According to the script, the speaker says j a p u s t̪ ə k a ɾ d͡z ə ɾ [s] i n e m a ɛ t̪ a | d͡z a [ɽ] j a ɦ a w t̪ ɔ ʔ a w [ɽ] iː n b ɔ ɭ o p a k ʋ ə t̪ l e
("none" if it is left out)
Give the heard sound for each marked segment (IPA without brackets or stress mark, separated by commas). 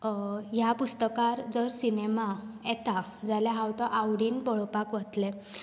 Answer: s, l, ɽ